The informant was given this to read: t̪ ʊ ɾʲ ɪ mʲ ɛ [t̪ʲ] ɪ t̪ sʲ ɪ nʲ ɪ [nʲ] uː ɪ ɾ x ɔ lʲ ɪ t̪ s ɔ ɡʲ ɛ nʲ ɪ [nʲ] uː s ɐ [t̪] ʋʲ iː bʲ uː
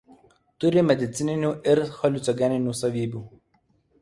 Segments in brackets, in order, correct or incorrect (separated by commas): incorrect, correct, correct, incorrect